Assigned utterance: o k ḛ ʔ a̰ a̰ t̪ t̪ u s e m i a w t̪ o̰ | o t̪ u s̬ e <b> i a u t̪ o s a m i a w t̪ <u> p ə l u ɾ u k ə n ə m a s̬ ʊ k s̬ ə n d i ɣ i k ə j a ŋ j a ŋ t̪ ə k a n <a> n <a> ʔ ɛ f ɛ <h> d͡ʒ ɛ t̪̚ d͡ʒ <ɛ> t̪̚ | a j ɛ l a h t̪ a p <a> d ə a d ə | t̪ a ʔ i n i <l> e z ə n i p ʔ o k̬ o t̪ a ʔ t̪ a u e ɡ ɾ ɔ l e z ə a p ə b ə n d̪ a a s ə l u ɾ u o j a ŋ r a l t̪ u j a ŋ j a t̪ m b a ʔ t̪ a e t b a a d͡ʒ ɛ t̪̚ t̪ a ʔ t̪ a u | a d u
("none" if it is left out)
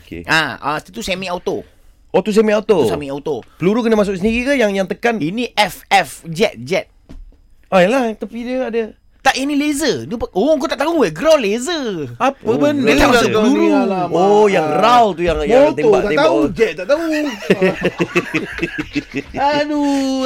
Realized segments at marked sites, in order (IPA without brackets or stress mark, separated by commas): m, o, i, i, f, ɛ, i, l